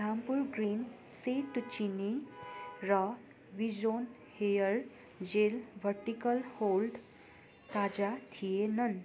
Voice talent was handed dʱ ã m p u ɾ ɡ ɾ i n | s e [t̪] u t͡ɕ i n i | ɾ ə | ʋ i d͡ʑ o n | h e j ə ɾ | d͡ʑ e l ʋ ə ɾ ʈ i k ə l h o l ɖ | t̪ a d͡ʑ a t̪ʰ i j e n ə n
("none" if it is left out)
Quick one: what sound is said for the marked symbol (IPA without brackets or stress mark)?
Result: t̪